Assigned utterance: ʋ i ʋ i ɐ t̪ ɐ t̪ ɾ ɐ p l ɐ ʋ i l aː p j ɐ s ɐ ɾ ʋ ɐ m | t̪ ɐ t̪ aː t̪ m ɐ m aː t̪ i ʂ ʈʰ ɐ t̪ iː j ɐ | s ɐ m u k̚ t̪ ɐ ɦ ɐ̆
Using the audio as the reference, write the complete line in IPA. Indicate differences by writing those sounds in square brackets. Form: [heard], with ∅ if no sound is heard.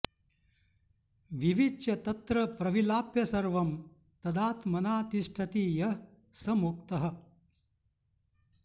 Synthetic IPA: ʋ i ʋ i ɐ t̪ ɐ t̪ ɾ ɐ p [ɾ] ɐ ʋ i l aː p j ɐ s ɐ ɾ ʋ ɐ m | t̪ ɐ [d̪] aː t̪ m ɐ [n] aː t̪ i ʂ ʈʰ ɐ t̪ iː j ɐ | s ɐ m u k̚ t̪ ɐ ɦ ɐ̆